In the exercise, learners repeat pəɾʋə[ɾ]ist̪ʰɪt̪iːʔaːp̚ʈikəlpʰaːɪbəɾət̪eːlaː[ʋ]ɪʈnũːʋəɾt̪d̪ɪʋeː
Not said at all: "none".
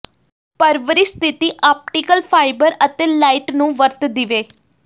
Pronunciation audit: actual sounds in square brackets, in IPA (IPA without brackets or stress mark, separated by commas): ɾ, none